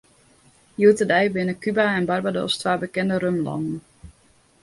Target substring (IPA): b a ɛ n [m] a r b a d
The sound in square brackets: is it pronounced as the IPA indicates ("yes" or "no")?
no